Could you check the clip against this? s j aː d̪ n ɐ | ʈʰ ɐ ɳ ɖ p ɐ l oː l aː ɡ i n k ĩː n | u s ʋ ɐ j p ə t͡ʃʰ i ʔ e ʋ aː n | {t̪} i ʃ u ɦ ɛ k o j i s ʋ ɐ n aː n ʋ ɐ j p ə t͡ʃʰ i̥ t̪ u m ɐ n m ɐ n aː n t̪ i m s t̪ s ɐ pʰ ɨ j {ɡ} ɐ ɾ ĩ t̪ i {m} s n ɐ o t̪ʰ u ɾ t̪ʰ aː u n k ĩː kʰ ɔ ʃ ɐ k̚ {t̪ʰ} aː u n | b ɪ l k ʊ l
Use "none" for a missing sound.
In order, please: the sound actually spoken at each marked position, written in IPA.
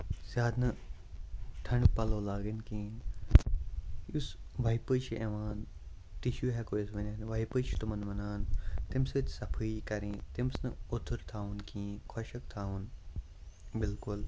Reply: t̪, k, m, t̪ʰ

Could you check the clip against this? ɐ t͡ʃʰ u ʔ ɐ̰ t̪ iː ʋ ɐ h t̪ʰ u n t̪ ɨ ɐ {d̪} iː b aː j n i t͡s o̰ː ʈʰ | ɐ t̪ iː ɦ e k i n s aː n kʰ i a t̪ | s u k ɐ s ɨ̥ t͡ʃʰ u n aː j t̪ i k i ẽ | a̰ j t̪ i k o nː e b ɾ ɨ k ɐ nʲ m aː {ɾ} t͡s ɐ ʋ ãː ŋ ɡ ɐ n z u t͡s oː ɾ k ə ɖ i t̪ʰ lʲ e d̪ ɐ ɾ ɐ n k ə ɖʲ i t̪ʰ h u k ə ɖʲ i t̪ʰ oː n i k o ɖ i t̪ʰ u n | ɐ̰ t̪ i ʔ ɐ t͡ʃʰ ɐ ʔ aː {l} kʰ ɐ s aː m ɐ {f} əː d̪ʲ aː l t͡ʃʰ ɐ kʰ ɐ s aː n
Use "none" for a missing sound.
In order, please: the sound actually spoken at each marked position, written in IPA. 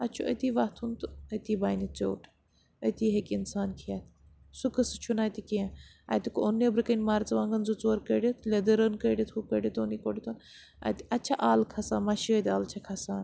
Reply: t̪, ɾ, l, ʃ

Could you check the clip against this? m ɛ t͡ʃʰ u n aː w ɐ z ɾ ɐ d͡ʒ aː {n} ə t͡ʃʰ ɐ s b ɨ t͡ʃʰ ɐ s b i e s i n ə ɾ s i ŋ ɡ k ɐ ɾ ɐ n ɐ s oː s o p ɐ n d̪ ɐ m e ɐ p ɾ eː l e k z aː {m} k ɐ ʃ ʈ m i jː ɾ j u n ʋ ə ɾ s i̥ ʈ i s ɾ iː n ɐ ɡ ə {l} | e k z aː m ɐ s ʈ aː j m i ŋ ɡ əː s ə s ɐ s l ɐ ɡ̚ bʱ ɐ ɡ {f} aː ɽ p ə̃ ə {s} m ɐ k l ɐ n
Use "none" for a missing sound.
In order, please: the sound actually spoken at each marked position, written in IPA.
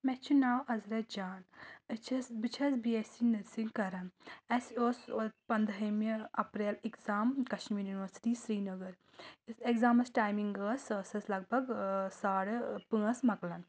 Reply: n, m, ɾ, s, s

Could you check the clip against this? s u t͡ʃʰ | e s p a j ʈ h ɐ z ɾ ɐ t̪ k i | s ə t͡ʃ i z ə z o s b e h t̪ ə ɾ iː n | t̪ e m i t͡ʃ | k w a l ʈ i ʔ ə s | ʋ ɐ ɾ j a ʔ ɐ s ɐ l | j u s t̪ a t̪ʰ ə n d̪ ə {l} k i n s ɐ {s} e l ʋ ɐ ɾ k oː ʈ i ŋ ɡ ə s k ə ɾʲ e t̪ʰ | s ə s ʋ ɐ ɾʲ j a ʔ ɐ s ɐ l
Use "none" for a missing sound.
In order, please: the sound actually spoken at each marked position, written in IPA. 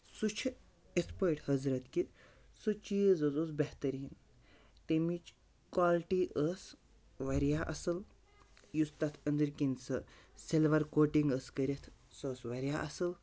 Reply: ɾ, s

